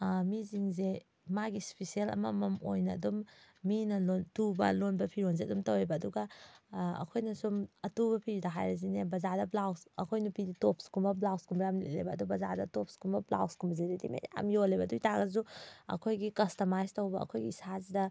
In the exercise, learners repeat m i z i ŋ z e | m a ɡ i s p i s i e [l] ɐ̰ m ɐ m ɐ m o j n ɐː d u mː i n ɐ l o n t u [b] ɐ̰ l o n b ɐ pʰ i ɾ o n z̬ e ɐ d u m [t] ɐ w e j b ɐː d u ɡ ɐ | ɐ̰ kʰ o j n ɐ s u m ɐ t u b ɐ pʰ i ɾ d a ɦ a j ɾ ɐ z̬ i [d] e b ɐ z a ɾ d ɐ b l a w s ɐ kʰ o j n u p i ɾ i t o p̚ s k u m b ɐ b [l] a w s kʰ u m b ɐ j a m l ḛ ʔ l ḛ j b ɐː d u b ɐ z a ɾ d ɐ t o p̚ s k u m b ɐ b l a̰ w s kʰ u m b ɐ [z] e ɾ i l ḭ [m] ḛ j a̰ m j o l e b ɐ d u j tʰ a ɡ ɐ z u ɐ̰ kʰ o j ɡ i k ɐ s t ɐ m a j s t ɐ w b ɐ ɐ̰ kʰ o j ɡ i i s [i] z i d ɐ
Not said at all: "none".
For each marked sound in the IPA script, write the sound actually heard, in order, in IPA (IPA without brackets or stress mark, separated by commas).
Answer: l, b, t, n, l, z, m, a